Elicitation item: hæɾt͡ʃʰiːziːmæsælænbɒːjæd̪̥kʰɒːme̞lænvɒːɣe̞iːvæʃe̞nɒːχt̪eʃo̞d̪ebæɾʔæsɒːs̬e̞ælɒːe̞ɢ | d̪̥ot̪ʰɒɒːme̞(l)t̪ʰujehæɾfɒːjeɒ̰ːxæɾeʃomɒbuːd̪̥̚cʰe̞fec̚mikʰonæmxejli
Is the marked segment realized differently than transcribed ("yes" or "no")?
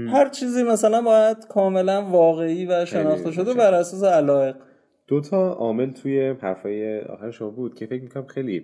no